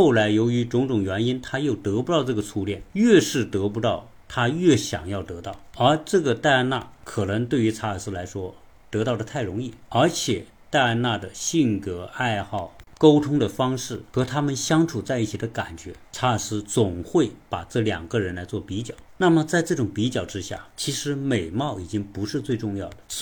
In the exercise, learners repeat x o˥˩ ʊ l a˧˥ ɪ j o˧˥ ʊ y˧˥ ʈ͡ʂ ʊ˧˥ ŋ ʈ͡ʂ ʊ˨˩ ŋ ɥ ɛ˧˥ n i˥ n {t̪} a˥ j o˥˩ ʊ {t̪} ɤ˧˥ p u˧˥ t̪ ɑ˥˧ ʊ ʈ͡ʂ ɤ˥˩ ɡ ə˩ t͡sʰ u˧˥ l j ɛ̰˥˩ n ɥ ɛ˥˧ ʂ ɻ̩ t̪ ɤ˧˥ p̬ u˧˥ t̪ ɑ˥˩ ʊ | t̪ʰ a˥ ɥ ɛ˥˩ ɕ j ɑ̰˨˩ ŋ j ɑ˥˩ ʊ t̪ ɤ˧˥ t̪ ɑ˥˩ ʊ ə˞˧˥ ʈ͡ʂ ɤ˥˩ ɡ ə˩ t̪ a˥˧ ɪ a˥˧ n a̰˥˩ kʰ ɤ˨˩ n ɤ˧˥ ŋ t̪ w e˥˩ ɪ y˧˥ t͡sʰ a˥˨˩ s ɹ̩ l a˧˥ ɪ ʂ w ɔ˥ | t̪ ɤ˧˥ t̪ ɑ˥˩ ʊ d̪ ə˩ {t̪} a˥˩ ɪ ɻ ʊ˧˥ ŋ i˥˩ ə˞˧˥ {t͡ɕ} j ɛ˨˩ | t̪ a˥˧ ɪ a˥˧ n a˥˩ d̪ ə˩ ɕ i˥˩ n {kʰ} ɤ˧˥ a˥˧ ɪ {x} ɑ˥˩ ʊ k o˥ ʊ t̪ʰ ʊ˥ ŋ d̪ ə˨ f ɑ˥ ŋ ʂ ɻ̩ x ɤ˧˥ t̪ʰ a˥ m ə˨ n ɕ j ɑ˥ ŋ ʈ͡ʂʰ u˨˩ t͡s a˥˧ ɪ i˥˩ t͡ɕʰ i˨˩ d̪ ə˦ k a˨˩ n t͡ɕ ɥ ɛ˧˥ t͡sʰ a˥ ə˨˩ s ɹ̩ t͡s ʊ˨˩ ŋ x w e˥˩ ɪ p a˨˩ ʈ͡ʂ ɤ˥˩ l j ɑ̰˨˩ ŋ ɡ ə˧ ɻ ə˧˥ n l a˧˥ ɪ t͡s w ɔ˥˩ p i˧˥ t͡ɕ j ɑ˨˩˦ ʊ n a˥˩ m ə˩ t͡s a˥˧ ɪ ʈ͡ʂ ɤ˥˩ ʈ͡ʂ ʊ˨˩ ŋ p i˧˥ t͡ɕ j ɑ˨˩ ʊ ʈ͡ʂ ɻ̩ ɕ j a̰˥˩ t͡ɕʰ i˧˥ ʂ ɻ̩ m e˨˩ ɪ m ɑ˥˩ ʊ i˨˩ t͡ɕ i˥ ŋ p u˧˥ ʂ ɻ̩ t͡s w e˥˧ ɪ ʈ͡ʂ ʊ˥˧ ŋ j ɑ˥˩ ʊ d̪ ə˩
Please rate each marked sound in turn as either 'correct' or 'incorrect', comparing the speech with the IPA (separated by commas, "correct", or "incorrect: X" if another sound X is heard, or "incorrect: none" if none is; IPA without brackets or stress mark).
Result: incorrect: t̪ʰ, correct, incorrect: t̪ʰ, incorrect: t͡ɕʰ, incorrect: k, correct